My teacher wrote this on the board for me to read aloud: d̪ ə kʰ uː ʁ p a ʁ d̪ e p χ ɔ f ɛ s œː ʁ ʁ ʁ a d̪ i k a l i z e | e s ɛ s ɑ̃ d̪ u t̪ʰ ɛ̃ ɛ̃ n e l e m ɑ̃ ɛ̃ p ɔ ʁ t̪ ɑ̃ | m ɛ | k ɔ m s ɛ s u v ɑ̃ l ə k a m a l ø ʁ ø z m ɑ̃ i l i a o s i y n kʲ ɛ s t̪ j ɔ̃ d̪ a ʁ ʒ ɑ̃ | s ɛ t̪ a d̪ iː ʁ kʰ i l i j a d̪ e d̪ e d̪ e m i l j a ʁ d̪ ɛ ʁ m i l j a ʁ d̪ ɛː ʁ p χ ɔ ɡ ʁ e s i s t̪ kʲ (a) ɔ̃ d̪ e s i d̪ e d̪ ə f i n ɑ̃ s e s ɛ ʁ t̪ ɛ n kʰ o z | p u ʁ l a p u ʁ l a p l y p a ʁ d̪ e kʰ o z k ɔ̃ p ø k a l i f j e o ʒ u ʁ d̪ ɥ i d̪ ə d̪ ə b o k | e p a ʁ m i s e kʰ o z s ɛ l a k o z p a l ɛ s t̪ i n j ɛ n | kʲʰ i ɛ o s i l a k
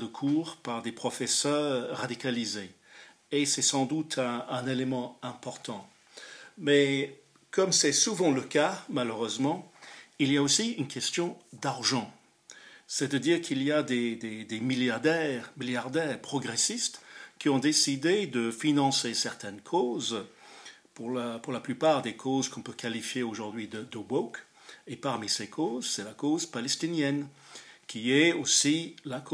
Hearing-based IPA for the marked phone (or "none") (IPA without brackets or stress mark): i